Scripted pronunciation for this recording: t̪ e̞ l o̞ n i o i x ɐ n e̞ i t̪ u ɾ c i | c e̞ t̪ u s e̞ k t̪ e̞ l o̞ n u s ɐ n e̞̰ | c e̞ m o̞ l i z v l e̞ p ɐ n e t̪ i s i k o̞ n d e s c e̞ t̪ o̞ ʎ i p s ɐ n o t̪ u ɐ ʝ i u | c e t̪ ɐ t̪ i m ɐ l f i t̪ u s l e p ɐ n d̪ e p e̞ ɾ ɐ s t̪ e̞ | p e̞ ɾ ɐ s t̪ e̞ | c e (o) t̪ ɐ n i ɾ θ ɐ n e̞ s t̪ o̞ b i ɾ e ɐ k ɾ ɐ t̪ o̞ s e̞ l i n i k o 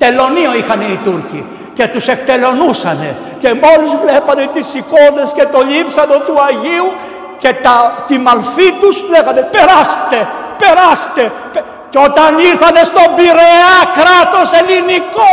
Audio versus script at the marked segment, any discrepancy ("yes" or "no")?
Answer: no